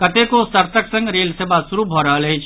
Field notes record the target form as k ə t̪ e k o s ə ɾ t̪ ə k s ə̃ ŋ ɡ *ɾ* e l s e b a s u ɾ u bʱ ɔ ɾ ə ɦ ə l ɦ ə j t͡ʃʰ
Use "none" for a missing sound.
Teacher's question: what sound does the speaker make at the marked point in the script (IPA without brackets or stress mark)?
ɾ